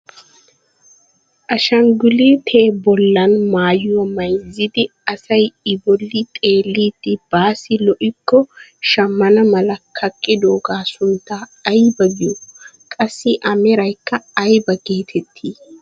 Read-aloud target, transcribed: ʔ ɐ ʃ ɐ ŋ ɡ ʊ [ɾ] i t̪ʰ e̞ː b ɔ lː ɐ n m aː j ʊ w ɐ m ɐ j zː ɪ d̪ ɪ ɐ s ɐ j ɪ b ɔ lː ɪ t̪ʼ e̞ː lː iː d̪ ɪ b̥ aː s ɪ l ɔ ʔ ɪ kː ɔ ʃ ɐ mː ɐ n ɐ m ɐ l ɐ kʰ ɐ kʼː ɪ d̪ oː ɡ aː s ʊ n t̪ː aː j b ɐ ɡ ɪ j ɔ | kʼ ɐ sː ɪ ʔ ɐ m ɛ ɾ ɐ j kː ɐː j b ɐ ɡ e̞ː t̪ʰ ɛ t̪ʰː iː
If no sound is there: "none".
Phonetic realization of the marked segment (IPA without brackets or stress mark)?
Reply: l